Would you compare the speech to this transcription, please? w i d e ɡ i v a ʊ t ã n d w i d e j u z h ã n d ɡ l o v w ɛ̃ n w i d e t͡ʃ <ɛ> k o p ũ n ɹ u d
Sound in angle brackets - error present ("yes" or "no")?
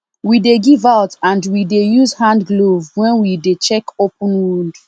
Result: no